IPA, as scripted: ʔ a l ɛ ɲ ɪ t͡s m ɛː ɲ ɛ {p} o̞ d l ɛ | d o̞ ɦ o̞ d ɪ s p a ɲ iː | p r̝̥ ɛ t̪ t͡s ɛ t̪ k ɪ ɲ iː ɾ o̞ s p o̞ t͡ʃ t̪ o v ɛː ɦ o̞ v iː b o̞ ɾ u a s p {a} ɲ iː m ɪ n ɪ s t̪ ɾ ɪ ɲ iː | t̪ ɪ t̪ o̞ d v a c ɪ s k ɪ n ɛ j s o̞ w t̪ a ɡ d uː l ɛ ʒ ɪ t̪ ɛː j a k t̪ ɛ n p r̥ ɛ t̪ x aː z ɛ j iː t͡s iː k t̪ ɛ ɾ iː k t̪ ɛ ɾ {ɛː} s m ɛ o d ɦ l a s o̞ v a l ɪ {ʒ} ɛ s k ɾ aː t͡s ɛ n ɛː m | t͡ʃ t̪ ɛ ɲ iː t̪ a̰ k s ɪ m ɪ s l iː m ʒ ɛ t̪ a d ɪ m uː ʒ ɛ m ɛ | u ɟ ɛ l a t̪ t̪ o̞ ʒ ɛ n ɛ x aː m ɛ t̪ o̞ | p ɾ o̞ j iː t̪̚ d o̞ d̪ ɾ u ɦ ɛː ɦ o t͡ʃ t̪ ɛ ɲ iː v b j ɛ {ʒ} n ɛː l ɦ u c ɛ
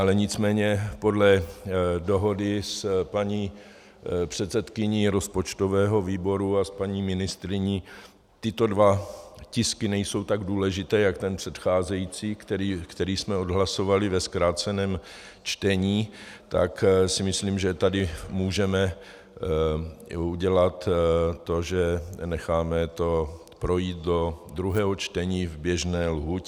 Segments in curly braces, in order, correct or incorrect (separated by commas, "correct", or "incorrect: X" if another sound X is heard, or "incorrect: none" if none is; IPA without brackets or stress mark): correct, correct, incorrect: iː, incorrect: v, correct